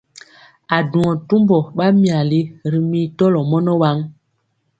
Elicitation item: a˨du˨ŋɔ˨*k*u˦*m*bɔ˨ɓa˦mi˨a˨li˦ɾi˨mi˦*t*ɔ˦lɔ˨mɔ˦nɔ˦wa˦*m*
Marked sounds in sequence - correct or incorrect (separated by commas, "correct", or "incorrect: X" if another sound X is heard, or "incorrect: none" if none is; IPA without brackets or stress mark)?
incorrect: t, correct, correct, incorrect: ŋ